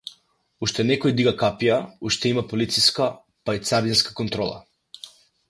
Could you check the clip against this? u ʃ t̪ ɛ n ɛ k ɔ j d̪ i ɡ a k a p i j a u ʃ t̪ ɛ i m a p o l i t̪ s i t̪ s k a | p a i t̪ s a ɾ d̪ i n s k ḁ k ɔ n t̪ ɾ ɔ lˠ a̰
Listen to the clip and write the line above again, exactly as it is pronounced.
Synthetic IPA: u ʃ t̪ ɛ n ɛ k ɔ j d̪ i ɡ a k a p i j a u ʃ t̪ ɛ i m a p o l i t̪ s i s k a | p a i t̪ s a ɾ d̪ i n s k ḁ k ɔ n t̪ ɾ ɔ lˠ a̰